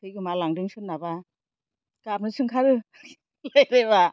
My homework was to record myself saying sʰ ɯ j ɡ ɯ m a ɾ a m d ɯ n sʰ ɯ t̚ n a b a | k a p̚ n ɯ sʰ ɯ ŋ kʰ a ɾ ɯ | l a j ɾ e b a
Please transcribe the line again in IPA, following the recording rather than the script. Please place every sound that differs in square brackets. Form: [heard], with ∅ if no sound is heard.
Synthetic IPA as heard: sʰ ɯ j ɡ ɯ m a [l] a [ŋ] d ɯ [ŋ] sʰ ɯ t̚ n a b a | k a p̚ n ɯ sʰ ɯ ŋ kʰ a ɾ ɯ | l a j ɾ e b a